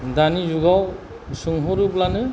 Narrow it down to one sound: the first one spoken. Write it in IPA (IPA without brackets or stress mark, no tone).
d